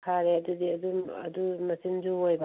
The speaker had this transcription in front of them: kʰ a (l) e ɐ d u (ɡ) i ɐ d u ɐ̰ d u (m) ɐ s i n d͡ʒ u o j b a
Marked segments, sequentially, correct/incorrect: incorrect, incorrect, correct

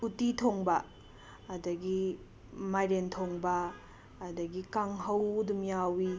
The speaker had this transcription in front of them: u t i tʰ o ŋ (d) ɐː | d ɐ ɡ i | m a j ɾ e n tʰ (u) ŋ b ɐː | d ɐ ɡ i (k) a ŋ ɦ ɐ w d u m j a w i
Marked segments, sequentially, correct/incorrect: incorrect, incorrect, correct

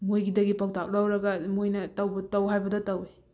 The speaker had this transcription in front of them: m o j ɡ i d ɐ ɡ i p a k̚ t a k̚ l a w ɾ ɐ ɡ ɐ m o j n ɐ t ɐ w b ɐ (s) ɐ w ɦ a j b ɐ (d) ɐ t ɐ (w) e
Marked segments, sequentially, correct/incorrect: incorrect, correct, correct

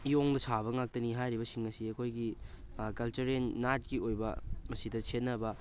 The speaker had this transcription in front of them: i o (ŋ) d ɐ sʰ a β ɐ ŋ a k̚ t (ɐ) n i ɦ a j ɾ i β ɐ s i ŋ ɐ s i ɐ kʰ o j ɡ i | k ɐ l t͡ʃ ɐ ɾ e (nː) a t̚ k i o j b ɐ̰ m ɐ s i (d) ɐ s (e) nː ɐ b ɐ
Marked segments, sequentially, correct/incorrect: correct, correct, correct, correct, correct

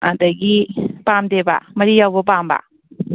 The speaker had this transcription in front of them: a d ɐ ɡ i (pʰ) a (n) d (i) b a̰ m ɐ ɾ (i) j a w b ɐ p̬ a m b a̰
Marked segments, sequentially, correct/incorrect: incorrect, incorrect, incorrect, correct

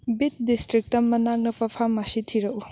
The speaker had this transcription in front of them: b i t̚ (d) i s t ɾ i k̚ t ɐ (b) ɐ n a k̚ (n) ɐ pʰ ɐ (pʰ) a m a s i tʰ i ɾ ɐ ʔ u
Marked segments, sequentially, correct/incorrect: correct, incorrect, correct, correct

